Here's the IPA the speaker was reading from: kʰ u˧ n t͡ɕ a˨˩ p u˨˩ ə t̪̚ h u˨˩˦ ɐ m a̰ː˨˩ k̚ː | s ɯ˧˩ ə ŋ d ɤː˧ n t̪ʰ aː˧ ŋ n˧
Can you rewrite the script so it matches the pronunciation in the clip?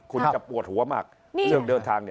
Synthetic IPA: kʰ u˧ n t͡ɕ a˨˩ p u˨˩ ə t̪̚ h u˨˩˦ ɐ m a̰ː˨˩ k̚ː | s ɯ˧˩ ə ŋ d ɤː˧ n t̪ʰ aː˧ ŋ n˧